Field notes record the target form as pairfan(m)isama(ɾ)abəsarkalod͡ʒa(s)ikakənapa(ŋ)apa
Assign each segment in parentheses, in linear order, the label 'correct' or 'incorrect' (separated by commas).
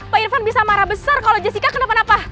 incorrect, correct, correct, incorrect